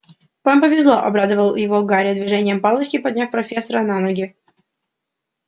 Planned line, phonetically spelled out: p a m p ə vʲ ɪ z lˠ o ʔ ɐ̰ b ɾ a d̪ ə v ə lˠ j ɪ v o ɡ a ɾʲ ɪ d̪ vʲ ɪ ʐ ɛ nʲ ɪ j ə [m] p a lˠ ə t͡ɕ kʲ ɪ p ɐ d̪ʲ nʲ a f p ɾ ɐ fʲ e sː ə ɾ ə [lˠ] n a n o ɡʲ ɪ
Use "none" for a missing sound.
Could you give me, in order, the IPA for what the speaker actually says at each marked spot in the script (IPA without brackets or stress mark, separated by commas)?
m, none